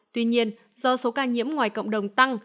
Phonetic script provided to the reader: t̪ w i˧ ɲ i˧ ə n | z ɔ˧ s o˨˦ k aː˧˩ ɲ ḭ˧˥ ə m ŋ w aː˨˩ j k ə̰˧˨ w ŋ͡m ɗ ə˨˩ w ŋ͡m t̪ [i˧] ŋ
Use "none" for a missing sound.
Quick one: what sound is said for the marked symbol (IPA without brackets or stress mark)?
a˧